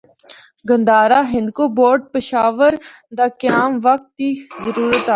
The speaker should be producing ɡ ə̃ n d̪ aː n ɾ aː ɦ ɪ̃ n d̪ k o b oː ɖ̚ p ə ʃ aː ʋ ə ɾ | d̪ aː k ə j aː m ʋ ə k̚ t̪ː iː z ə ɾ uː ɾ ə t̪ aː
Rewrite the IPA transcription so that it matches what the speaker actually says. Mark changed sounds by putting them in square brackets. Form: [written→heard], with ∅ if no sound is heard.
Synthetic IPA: ɡ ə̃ n d̪ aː [n→∅] ɾ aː ɦ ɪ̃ n d̪ k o b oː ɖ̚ p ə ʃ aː ʋ ə ɾ | d̪ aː k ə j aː m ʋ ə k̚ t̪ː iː z ə ɾ uː ɾ ə t̪ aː